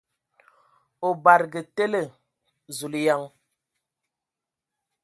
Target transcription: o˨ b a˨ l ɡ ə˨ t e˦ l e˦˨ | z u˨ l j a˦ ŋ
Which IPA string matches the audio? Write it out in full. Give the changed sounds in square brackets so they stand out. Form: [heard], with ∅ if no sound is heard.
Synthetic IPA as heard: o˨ b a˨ [ɾ] ɡ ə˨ t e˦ l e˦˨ | z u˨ l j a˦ ŋ